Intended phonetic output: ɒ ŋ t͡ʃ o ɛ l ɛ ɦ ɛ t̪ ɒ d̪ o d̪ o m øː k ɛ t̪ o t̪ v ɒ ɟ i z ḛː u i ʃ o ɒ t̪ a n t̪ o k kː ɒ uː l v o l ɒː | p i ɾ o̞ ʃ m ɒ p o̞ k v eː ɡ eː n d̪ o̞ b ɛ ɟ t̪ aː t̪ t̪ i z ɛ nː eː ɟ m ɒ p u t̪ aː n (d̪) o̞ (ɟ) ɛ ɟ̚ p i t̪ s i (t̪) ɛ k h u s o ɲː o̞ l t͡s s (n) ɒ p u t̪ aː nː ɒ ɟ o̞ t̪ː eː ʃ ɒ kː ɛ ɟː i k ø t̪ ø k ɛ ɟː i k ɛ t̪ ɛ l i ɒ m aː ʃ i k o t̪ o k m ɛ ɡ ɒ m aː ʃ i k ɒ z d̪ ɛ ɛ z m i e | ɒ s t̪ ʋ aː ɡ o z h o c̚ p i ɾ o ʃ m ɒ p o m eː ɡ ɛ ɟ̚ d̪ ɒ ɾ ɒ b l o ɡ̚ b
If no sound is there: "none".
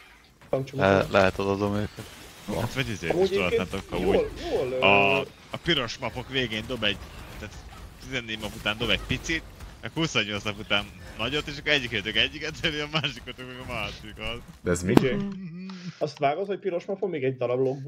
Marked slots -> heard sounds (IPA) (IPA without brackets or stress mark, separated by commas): d̪, b, t̪, n